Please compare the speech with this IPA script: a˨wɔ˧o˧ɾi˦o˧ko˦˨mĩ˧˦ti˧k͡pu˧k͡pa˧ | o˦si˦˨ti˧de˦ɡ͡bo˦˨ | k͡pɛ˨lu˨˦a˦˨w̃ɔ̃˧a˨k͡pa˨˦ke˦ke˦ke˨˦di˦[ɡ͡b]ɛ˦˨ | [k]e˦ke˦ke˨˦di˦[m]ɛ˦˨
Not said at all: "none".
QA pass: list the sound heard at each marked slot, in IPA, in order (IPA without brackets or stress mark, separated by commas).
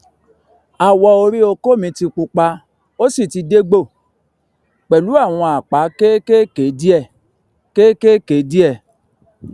none, k, none